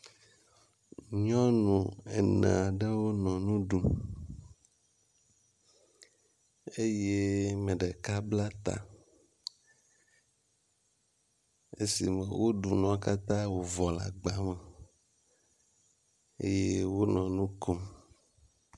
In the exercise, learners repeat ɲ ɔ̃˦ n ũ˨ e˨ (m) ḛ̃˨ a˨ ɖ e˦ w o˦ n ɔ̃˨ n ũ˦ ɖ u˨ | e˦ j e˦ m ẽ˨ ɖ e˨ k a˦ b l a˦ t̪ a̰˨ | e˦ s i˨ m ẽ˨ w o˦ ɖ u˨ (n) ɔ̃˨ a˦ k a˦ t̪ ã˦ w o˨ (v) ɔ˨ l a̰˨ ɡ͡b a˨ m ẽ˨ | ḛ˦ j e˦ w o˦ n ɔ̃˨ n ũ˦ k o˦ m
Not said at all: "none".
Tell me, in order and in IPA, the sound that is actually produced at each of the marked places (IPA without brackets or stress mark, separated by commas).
n, n, v